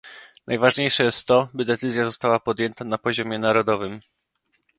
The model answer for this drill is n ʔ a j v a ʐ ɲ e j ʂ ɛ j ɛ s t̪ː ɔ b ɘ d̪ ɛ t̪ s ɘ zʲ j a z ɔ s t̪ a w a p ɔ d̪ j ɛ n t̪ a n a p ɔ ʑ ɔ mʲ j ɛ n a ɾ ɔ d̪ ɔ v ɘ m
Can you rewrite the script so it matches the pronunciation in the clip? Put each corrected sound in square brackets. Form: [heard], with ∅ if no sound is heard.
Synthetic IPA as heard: n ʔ a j v a ʐ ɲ e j ʂ ɛ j ɛ s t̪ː ɔ b ɘ d̪ ɛ t̪ s ɘ zʲ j a z ɔ s t̪ a w a p ɔ d̪ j ɛ n t̪ a n a p ɔ ʑ ɔ mʲ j ɛ n a ɾ ɔ d̪ ɔ v ɘ m